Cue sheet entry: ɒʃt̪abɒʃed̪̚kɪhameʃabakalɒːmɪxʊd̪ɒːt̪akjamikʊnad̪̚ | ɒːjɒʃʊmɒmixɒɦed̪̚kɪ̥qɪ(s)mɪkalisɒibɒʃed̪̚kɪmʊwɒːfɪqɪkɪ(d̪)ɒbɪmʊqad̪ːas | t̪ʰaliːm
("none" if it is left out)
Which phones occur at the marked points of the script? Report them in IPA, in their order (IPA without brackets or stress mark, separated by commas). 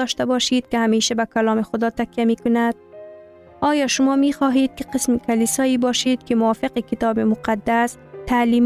s, t̪